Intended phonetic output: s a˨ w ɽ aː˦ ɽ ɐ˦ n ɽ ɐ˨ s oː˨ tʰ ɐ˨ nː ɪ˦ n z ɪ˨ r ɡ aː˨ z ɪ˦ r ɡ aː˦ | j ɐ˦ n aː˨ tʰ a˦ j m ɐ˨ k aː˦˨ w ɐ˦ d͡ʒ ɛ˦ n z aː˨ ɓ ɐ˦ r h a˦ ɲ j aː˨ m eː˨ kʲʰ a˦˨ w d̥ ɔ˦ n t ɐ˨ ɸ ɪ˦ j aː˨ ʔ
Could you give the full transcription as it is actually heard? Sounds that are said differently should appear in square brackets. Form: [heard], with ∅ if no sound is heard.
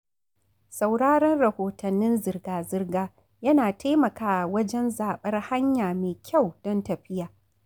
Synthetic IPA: s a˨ w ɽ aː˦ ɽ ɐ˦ n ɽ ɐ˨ [h] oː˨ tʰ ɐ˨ nː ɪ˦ n z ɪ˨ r ɡ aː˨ z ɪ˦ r ɡ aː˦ | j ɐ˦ n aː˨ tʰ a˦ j m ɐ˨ k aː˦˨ w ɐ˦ d͡ʒ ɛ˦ n z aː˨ ɓ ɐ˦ r h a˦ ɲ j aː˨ m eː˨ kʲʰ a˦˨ w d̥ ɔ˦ n t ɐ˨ ɸ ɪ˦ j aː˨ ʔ